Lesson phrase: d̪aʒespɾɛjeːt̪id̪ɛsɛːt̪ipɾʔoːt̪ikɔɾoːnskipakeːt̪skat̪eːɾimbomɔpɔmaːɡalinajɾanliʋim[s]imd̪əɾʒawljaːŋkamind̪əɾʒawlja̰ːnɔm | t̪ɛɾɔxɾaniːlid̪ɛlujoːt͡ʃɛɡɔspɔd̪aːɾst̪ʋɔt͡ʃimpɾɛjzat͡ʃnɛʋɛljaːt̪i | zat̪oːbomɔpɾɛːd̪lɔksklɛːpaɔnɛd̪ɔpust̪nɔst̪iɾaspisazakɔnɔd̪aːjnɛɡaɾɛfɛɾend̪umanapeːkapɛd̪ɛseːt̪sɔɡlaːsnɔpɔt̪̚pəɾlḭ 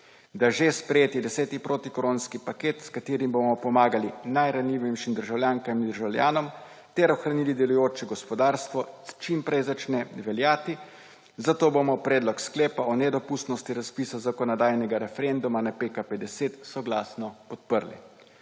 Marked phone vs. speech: incorrect: ʃ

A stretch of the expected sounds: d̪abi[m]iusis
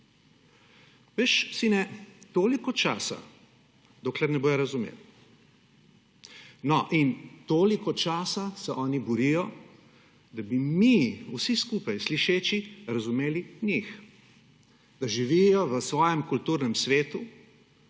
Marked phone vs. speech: correct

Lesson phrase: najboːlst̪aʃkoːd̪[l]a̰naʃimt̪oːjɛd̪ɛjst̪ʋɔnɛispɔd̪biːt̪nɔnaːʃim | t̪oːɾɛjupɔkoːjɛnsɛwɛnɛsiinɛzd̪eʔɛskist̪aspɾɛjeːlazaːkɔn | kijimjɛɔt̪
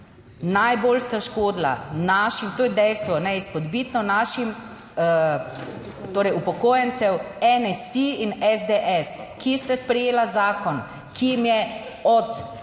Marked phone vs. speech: correct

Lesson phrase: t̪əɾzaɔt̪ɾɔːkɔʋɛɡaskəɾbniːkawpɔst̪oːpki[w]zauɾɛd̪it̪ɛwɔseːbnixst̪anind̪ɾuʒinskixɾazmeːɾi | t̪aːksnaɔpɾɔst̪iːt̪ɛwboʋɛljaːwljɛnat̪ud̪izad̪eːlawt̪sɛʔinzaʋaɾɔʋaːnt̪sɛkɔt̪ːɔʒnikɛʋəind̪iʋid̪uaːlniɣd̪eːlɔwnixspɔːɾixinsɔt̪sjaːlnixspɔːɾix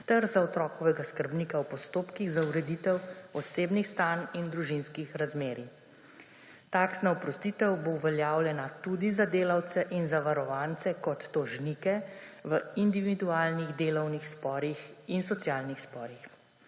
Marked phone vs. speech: incorrect: ɣ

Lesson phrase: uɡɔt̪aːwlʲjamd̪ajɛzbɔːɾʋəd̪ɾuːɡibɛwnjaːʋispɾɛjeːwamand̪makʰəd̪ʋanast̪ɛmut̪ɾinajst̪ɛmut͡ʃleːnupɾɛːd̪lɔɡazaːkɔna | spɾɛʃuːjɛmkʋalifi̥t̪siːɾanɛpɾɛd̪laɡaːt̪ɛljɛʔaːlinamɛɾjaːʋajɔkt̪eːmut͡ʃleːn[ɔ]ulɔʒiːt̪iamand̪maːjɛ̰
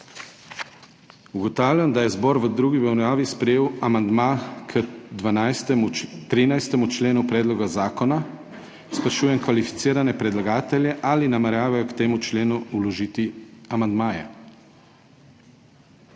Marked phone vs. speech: incorrect: u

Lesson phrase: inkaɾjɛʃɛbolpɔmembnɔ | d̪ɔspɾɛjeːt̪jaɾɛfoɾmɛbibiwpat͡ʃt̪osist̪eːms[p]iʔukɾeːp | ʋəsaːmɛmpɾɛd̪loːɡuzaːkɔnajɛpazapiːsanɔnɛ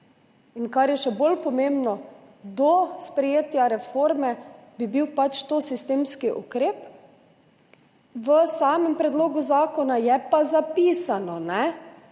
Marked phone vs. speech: incorrect: k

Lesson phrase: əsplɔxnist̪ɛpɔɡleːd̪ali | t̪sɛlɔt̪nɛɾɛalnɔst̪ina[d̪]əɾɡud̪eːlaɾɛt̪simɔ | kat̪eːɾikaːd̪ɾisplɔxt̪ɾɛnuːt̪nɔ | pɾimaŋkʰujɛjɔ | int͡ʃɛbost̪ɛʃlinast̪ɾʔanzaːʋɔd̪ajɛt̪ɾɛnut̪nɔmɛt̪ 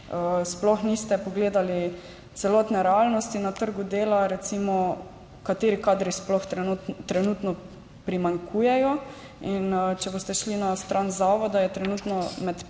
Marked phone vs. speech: incorrect: t̪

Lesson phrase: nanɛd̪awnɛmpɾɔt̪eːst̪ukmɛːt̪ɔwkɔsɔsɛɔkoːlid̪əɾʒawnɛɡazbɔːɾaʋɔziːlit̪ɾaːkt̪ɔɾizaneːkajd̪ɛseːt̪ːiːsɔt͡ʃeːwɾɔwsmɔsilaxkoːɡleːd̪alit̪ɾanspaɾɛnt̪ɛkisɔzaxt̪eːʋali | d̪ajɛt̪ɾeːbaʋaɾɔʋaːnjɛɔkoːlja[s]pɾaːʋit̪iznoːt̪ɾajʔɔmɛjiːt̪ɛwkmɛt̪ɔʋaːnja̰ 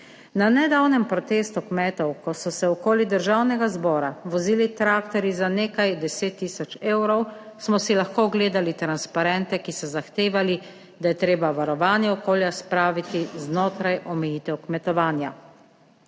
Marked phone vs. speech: correct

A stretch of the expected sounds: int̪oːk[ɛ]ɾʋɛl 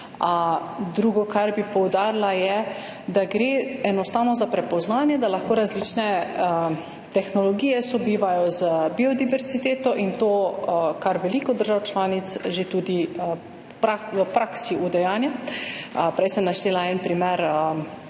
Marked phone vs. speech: incorrect: a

